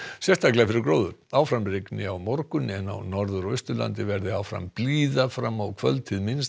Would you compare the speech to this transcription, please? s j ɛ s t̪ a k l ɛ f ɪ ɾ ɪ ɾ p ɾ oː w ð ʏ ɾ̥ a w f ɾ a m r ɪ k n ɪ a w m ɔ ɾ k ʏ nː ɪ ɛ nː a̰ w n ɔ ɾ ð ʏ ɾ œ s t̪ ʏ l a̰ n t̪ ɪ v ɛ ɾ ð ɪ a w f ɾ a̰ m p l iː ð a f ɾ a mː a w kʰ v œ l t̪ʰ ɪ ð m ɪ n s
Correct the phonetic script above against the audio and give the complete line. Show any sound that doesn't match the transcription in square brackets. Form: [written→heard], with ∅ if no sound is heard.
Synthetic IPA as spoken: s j ɛ s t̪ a k l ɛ f ɪ ɾ ɪ ɾ [p→k] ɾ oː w ð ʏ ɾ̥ a w f ɾ a m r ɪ k n ɪ a w m ɔ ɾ k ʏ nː ɪ ɛ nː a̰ w n ɔ ɾ ð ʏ ɾ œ s t̪ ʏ l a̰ n t̪ ɪ v ɛ ɾ ð ɪ a w f ɾ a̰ m p l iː ð a f ɾ a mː a w kʰ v œ l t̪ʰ ɪ ð m ɪ n s